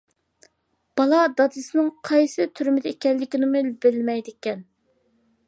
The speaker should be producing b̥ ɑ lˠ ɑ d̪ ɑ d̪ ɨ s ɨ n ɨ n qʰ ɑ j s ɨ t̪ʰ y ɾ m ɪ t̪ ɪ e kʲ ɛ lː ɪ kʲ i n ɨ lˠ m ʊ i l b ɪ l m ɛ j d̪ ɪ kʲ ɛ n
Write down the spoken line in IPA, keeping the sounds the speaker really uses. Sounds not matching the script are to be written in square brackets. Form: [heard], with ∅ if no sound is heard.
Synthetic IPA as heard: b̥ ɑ lˠ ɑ d̪ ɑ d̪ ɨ s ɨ n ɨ [ŋ] qʰ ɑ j s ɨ t̪ʰ y ɾ m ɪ [d̪] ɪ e kʲ ɛ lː ɪ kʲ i n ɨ [∅] m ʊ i l b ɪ l m ɛ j d̪ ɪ kʲ ɛ n